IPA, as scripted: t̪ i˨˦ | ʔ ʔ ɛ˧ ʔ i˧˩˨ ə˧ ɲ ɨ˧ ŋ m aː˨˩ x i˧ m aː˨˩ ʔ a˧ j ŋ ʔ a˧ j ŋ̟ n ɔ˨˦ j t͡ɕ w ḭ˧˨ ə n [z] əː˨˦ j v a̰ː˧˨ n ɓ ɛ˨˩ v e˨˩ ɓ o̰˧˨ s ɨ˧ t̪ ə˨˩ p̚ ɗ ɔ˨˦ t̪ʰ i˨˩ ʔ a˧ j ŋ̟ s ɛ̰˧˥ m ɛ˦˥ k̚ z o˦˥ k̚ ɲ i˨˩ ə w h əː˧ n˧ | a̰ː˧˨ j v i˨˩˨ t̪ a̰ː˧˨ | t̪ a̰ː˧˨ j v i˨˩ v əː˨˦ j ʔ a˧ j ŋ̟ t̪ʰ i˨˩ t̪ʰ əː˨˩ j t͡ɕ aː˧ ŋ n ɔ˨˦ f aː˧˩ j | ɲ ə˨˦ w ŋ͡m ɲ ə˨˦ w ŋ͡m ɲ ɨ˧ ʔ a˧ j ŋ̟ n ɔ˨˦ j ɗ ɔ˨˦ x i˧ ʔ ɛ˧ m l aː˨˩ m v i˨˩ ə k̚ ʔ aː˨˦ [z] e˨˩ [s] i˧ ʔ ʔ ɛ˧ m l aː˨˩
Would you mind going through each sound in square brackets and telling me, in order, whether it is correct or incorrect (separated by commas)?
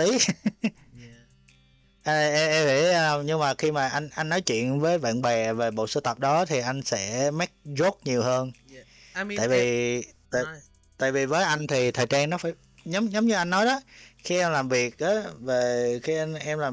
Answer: incorrect, incorrect, incorrect